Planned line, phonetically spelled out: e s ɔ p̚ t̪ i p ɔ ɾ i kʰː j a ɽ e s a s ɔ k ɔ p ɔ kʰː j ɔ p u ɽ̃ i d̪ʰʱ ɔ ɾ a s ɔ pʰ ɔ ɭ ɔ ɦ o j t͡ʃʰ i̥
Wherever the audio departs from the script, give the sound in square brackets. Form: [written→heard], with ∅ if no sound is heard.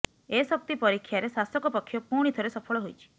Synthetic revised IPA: e s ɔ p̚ t̪ i p ɔ ɾ i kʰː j a [ɽ→ɾ] e s a s ɔ k ɔ p ɔ kʰː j ɔ p u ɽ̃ i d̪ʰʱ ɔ ɾ [a→e] s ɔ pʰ ɔ ɭ ɔ ɦ o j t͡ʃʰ i̥